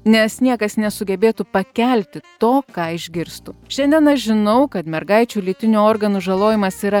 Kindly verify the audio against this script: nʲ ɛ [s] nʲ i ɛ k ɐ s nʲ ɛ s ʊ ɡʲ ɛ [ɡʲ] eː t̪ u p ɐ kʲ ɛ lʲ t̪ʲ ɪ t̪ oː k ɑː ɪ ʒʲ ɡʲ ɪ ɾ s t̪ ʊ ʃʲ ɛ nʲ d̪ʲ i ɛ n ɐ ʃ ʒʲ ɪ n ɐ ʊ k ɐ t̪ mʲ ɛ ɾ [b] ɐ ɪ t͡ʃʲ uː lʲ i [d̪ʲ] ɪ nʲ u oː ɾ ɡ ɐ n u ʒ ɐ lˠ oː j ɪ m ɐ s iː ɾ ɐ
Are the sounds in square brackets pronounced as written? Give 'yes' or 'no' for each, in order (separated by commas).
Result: yes, no, no, no